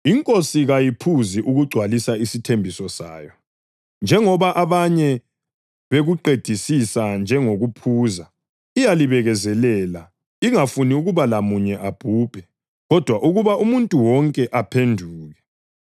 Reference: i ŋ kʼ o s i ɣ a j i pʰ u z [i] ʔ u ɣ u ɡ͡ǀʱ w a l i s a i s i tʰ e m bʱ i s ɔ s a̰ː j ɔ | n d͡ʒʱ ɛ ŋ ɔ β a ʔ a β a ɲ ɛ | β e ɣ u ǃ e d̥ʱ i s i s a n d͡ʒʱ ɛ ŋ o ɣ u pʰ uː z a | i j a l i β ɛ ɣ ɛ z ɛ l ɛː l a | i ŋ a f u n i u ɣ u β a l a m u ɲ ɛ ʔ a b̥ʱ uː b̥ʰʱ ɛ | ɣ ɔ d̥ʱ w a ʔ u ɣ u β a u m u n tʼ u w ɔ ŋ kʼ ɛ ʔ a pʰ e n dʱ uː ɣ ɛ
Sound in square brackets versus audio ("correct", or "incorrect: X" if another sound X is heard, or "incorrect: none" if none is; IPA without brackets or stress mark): correct